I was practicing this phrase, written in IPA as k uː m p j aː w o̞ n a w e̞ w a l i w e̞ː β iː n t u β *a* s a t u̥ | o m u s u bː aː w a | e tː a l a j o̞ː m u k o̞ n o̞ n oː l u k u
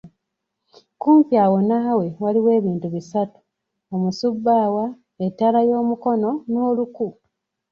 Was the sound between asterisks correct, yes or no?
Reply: no